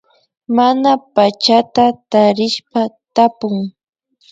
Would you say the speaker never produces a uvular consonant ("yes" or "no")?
yes